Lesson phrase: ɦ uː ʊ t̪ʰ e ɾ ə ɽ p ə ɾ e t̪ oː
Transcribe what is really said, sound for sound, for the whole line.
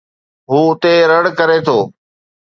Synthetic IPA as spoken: ɦ uː ʊ t̪ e ɾ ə ɽ k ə ɾ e t̪ʰ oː

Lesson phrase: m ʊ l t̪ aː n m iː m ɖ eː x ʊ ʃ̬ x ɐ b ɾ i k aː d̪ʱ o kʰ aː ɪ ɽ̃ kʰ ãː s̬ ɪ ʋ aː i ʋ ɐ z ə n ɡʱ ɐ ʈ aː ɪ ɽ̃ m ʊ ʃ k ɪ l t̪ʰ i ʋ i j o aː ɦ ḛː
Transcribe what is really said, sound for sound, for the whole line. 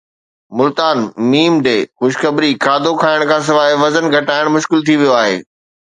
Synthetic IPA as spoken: m ʊ l t̪ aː n m iː m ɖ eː x ʊ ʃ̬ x ɐ b ɾ i k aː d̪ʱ o kʰ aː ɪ ɽ̃ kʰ ãː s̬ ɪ ʋ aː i ʋ ɐ z ə n ɡʱ ɐ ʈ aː ɪ ɽ̃ m ʊ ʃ k ɪ l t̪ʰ i ʋ i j o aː ɦ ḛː

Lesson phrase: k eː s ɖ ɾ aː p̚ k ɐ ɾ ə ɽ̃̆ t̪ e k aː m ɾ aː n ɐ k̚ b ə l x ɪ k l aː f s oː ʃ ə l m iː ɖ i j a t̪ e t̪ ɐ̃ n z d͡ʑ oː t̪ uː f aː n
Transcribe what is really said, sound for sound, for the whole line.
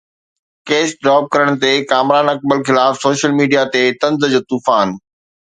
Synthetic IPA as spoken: k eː s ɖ ɾ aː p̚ k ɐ ɾ ə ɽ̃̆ t̪ e k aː m ɾ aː n ɐ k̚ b ə l x ɪ l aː f s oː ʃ ə l m iː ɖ i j a t̪ e t̪ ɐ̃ n z d͡ʑ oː t̪ uː f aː n

